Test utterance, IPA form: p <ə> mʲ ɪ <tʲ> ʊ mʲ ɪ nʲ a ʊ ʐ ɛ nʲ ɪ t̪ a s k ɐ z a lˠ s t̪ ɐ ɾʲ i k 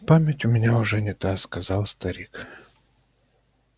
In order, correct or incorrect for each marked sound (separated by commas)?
incorrect, correct